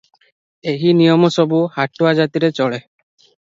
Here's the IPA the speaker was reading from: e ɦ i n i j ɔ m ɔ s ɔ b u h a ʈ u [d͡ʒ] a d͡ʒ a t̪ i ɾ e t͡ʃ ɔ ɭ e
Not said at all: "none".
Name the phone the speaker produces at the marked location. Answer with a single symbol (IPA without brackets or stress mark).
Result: none